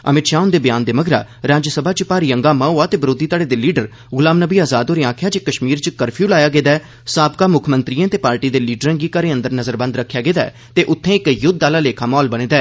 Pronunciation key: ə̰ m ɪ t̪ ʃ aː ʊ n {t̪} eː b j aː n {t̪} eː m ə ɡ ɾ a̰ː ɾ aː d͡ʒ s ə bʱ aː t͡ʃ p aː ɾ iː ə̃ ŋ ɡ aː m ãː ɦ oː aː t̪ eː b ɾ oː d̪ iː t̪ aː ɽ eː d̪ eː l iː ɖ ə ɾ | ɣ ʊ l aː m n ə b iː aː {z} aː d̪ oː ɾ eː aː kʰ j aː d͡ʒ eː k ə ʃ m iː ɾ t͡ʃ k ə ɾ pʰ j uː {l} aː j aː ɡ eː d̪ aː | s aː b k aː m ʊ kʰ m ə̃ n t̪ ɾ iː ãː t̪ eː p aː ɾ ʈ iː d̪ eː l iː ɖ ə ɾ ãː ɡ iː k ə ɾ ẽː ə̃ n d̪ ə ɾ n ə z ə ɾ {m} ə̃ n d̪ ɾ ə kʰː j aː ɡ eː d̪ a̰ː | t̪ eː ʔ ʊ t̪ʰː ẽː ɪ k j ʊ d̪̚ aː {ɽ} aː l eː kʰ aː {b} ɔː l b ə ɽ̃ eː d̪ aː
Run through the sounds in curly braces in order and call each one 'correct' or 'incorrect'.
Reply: incorrect: d̪, incorrect: d̪, correct, correct, incorrect: b, incorrect: l, incorrect: m

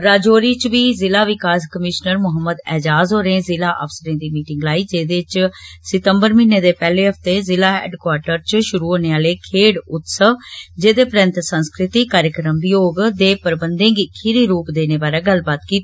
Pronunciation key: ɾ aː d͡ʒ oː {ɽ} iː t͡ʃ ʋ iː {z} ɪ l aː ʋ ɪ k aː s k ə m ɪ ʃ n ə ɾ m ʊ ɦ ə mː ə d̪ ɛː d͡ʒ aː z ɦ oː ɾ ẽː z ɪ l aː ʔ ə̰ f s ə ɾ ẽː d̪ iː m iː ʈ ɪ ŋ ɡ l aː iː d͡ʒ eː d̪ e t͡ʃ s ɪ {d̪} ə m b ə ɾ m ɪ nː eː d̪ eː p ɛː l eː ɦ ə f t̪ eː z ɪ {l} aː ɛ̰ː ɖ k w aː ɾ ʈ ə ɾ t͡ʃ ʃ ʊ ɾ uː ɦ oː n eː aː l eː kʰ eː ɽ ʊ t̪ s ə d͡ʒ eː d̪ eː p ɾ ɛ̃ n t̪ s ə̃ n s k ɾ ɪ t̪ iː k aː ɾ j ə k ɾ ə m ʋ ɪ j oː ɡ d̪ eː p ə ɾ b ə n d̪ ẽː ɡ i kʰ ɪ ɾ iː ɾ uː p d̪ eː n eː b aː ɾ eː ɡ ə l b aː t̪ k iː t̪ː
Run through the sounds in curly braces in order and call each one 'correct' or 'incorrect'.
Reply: incorrect: ɾ, correct, incorrect: t̪, correct

